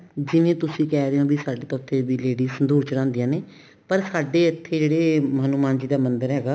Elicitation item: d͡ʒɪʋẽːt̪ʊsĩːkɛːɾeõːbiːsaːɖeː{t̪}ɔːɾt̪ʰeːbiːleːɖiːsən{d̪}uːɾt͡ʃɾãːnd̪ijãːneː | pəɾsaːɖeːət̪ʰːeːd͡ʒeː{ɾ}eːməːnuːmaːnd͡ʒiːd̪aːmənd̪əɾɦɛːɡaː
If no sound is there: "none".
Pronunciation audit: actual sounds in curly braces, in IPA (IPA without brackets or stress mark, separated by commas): t̪, d̪, ɽ